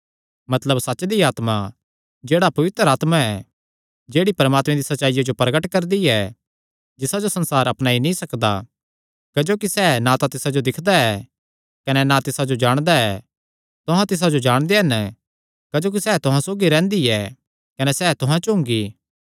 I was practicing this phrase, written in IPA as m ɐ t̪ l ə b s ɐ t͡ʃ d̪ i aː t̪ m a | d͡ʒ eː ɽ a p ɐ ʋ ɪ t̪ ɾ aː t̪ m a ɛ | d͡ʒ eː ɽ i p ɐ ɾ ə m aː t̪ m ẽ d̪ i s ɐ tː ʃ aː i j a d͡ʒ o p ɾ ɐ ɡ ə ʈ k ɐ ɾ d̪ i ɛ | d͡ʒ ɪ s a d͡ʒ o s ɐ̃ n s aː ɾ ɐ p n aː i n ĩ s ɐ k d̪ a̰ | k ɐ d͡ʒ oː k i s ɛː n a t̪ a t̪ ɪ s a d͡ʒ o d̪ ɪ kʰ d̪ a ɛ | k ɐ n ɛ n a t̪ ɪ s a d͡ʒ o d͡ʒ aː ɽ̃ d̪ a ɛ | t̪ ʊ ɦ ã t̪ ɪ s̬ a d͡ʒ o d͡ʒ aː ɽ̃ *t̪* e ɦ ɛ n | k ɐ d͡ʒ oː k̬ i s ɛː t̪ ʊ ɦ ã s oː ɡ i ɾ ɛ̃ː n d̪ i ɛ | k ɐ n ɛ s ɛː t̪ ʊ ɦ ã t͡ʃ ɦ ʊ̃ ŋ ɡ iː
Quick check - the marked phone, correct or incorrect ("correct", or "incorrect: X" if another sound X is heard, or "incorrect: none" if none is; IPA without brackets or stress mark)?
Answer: incorrect: d̪